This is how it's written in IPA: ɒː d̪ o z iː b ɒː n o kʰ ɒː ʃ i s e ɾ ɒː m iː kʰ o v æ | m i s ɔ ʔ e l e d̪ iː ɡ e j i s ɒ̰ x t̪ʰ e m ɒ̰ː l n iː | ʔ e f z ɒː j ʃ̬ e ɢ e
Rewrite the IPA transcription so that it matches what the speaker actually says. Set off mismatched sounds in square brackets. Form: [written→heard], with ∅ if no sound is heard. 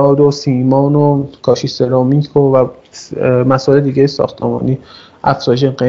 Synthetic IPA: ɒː d̪ o [z→s] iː [b→m] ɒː n o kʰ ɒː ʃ i s e ɾ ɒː m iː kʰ o v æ | m [i→æ] s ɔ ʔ e l e d̪ iː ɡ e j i s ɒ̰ x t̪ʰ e m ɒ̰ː [l→∅] n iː | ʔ [e→æ] f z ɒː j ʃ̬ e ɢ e